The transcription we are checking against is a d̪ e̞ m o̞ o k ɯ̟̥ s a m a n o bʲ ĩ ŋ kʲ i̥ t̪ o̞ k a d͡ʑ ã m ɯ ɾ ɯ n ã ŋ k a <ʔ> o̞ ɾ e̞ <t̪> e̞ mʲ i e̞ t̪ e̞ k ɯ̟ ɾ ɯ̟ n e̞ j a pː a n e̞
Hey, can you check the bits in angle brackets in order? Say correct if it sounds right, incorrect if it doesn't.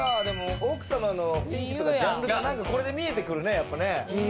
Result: incorrect: k, incorrect: d̪

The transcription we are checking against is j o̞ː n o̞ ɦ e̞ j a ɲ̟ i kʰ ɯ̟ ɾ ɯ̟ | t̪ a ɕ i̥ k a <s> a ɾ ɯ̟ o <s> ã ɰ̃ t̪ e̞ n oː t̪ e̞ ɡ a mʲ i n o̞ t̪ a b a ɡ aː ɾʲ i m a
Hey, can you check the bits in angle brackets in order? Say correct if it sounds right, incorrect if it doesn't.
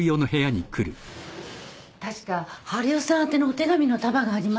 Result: incorrect: h, correct

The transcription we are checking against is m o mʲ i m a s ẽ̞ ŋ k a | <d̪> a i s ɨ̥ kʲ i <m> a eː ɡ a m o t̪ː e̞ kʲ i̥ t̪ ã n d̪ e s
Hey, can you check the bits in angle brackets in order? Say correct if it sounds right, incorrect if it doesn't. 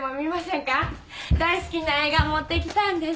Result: correct, incorrect: n

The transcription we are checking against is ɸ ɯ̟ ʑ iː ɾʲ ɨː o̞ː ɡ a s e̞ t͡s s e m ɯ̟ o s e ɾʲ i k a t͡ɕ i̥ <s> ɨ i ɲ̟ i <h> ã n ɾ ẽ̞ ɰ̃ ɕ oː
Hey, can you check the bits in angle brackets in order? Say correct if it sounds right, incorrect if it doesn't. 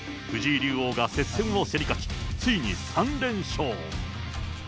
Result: incorrect: t͡s, incorrect: s

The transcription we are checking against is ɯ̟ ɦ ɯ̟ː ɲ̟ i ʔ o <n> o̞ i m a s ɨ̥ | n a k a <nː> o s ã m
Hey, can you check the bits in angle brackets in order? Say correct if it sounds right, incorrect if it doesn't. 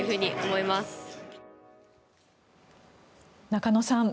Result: incorrect: m, incorrect: n

